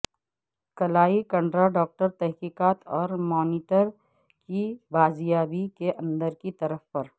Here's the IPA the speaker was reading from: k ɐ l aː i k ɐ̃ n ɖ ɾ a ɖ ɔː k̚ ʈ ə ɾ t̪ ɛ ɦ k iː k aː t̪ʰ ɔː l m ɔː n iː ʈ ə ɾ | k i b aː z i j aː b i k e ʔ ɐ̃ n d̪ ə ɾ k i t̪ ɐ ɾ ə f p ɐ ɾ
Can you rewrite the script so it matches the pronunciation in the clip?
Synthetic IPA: k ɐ l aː i k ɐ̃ ɳ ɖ ɾ a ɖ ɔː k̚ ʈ ə ɾ t̪ ɛ ɦ k iː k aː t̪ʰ ɔː ɾ m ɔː n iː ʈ ə ɾ | k i b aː z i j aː b i k e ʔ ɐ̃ n d̪ ə ɾ k i t̪ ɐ ɾ ə f p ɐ ɾ